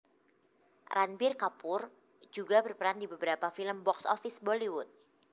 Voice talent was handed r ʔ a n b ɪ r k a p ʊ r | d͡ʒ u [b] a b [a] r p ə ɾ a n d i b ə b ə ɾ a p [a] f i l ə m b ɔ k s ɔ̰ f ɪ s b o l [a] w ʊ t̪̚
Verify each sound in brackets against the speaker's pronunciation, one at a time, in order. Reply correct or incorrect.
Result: incorrect: ɡ, incorrect: ə, correct, incorrect: i

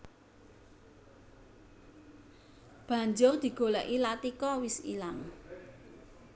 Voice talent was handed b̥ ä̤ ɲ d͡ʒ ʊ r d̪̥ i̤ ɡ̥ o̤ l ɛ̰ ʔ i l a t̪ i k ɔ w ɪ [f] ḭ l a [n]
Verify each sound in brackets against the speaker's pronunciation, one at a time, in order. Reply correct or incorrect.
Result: incorrect: s, incorrect: ŋ

